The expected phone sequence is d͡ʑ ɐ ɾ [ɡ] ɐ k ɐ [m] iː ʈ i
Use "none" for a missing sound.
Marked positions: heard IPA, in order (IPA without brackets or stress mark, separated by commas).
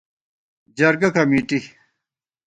ɡ, m